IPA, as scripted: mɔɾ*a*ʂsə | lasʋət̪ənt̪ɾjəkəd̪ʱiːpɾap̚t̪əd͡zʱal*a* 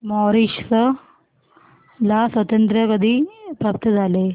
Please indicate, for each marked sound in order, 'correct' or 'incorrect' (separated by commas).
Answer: incorrect, incorrect